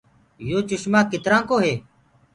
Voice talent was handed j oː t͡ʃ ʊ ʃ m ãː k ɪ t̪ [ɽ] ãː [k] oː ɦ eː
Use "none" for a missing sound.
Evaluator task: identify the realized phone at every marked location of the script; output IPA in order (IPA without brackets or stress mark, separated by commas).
ɾ, k